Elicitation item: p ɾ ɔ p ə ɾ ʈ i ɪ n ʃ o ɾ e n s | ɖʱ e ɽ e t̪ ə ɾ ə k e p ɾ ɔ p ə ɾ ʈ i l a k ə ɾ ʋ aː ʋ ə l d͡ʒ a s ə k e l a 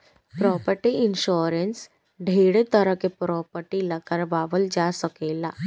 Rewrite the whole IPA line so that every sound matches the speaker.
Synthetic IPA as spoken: p ɾ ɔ p ə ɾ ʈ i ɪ n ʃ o ɾ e n s | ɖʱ e ɽ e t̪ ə ɾ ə k e p ɾ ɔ p ə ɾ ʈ i l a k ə ɾ ʋ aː ʋ ə l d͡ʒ a s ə k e l a